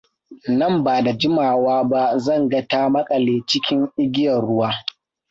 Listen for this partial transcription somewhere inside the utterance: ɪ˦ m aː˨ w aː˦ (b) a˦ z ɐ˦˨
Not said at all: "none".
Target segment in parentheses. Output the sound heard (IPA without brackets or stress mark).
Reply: b